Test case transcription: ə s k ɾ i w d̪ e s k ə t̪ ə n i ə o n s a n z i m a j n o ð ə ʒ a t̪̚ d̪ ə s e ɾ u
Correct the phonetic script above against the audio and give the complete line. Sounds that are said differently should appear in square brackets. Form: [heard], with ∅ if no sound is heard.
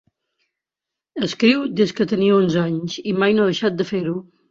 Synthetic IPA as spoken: ə s k ɾ i w d̪ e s k ə t̪ ə n i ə o n [z] a [ɲ] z i m a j n o ð ə [ʃ] a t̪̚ d̪ ə [f] e ɾ u